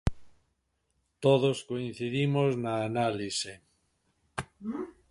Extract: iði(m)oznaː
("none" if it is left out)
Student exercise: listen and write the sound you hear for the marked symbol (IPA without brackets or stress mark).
m